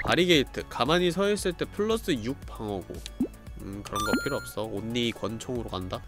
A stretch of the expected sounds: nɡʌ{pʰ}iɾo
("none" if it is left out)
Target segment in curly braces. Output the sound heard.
pʰ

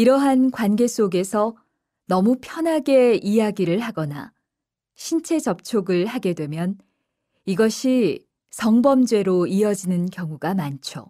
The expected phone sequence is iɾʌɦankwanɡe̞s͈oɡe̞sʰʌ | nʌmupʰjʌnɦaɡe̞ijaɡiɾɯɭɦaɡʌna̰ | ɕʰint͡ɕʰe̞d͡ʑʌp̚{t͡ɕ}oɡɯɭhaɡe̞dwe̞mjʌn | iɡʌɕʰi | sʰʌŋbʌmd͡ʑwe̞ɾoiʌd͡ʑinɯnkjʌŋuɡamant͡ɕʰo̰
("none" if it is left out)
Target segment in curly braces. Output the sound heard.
t͡ɕʰ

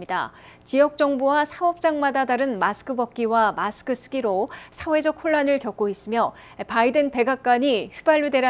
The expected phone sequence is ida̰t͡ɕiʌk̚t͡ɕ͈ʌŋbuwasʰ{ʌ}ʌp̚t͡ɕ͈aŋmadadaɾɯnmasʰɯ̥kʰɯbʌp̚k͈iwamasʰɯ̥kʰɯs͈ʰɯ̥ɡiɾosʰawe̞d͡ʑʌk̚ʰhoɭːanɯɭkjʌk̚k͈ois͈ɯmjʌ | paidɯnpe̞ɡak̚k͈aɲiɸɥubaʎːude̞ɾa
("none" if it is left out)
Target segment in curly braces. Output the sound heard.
a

